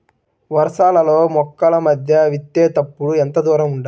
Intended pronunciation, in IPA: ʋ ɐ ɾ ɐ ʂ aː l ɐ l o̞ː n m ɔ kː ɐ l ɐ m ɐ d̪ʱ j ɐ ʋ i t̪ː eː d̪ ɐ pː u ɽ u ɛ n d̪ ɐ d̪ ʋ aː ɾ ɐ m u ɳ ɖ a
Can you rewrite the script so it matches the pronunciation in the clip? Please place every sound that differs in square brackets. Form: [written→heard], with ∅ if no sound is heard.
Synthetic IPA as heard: ʋ ɐ ɾ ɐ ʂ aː l ɐ l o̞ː [n→∅] m ɔ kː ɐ l ɐ m ɐ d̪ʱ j ɐ ʋ i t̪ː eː [d̪→t̪] ɐ pː u ɽ u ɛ n [d̪→t̪] ɐ d̪ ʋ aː ɾ ɐ m u ɳ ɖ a